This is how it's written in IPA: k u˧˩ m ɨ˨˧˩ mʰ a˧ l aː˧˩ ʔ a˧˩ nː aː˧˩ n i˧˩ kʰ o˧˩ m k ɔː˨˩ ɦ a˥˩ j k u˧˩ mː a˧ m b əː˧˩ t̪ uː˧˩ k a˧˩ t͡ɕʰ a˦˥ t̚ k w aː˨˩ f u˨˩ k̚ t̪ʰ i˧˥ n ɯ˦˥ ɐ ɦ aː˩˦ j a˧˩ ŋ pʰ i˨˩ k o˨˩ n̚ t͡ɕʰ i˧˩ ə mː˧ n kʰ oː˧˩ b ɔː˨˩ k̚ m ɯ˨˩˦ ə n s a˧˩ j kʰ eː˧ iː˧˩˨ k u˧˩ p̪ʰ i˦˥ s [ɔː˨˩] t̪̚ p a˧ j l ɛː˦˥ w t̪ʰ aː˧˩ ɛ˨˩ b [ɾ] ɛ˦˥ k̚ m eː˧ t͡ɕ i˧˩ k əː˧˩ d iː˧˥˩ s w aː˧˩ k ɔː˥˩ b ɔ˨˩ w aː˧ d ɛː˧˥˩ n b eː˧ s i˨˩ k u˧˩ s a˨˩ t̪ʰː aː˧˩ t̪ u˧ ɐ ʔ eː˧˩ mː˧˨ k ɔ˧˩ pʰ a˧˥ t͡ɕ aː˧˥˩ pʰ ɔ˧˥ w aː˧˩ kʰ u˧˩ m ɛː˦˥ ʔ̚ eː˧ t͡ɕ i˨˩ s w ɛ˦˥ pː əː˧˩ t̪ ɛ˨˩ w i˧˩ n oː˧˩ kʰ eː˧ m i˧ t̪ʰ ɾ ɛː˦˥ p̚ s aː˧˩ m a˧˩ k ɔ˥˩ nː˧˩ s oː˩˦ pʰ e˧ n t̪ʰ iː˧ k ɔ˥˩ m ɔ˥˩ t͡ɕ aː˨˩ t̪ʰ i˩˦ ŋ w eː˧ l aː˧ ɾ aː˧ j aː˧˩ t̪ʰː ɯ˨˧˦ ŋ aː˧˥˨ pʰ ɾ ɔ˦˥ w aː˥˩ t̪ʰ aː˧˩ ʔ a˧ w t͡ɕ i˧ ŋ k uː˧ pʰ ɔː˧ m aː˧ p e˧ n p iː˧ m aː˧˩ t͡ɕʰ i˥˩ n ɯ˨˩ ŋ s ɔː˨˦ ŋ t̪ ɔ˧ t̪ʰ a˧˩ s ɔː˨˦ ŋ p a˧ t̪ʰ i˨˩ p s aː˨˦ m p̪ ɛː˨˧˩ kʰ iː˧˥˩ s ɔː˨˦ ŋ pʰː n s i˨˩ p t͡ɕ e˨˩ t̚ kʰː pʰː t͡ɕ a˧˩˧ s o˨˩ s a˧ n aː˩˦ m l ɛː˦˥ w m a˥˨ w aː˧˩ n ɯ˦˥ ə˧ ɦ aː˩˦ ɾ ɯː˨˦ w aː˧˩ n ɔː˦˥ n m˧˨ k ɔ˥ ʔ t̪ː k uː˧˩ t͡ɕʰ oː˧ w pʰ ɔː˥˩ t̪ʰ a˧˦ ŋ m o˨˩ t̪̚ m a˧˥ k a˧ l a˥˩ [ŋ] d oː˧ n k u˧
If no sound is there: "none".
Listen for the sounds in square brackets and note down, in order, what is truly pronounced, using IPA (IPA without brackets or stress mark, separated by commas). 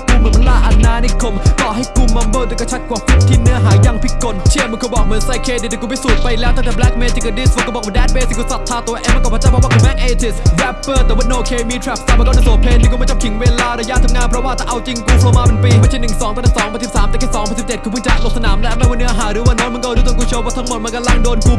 uː˨˩, l, ŋ